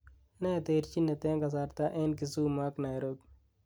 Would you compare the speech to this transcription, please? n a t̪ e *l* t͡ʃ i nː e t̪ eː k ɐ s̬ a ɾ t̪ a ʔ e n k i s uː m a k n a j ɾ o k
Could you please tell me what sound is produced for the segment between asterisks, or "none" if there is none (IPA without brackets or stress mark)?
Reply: ɾ